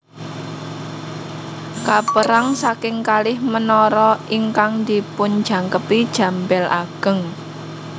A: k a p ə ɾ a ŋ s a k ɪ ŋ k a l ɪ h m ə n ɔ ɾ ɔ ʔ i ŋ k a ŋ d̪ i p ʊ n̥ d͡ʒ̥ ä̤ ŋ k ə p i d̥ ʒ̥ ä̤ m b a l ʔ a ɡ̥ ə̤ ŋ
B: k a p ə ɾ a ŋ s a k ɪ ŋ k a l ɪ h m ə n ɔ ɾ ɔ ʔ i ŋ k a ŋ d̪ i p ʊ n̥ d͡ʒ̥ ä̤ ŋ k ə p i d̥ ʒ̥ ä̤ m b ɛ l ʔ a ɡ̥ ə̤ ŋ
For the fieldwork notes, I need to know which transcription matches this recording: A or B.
B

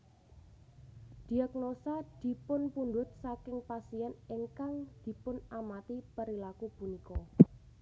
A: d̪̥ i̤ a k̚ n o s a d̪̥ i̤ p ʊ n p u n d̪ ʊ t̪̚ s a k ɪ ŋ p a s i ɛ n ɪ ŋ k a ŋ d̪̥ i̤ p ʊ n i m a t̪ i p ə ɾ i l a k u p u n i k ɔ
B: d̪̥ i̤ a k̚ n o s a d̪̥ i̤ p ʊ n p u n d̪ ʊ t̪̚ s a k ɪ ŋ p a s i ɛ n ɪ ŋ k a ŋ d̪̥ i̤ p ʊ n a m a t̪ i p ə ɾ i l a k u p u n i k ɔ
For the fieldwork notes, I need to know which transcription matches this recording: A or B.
B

